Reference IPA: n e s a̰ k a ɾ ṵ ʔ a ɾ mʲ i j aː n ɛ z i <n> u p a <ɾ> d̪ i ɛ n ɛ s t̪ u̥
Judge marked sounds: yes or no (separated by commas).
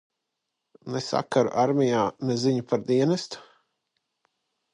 no, yes